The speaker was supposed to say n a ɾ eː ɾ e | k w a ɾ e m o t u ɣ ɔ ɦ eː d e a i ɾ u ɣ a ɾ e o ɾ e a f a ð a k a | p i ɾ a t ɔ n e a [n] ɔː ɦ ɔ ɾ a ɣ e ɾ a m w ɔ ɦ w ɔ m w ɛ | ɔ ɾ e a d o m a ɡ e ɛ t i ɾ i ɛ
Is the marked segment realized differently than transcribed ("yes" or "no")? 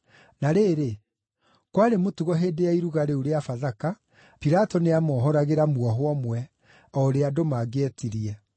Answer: yes